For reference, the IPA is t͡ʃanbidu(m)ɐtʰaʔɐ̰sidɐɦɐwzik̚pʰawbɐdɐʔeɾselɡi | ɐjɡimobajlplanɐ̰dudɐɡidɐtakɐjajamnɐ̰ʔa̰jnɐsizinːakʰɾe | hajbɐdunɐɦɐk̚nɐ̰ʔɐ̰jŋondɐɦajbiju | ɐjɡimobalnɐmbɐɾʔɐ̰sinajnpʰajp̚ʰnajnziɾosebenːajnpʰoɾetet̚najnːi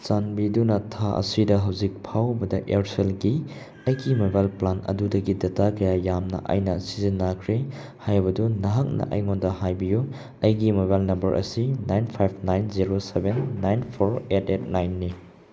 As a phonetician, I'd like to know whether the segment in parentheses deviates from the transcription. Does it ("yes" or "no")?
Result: yes